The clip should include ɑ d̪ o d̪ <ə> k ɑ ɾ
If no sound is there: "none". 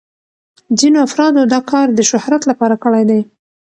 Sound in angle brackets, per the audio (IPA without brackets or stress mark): ɑ